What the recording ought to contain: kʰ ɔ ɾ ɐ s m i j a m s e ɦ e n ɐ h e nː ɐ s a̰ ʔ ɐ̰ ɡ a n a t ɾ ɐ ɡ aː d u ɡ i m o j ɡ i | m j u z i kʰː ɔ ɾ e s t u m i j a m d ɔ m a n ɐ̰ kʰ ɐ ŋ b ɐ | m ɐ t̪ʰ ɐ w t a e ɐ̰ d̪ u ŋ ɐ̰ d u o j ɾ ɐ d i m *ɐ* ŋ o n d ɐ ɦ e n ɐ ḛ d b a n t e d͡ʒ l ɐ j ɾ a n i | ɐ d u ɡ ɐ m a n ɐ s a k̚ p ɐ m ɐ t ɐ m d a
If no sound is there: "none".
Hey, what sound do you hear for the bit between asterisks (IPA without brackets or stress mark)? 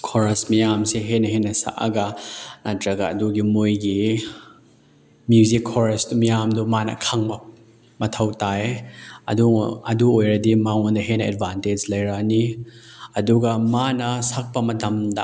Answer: a